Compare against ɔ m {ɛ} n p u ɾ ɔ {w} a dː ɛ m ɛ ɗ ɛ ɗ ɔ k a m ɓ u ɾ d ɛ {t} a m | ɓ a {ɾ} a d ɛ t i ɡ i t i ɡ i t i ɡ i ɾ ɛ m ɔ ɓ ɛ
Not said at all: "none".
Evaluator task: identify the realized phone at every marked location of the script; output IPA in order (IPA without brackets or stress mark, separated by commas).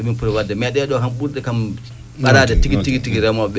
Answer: i, w, k, ɾ